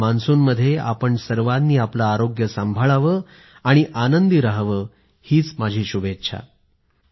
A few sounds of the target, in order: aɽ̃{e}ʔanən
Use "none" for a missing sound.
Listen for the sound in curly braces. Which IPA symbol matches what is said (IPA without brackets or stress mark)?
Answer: i